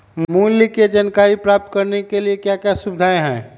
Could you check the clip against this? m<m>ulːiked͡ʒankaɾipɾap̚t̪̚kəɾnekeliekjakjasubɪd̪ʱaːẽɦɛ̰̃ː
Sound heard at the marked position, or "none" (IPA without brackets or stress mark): m